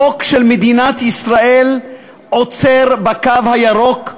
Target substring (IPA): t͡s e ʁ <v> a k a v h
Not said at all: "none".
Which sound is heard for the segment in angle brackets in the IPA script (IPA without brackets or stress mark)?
b